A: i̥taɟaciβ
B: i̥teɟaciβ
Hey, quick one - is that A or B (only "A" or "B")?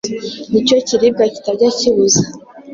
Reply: A